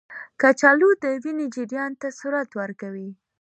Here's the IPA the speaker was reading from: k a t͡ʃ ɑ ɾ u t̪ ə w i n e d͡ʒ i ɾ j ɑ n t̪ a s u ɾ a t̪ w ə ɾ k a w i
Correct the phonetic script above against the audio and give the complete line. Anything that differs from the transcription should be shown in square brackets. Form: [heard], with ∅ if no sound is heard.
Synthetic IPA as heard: k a t͡ʃ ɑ [l] u [d̪] ə w i n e d͡ʒ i ɾ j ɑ n t̪ a s u ɾ a t̪ w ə ɾ k a w i